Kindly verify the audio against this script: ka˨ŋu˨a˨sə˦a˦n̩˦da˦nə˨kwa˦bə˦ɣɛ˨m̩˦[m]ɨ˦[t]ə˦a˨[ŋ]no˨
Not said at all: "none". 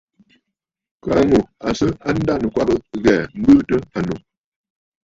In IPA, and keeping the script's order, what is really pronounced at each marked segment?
b, t, none

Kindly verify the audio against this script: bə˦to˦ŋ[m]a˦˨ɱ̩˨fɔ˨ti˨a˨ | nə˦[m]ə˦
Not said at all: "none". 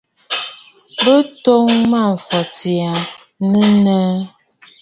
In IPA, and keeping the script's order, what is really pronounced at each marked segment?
m, n

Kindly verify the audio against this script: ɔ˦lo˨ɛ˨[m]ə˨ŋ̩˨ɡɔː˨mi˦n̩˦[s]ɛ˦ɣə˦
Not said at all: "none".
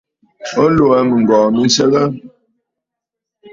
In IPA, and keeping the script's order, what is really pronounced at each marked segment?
m, s

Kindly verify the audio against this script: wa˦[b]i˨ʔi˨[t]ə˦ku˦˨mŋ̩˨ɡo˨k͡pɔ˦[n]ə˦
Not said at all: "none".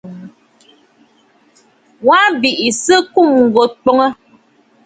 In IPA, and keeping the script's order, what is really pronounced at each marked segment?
b, s, ŋ

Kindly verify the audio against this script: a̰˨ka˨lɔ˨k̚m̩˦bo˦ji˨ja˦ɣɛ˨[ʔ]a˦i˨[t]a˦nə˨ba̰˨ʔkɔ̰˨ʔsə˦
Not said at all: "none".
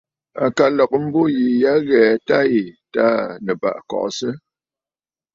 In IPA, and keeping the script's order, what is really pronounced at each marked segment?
t, t

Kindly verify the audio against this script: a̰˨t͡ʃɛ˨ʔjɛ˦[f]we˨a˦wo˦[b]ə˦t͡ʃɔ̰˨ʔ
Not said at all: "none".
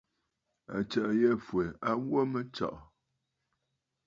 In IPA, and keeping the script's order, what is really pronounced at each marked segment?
f, m

